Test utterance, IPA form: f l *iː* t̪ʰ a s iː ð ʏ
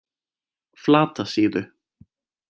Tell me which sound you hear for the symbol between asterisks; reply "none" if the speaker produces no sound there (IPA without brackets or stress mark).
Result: aː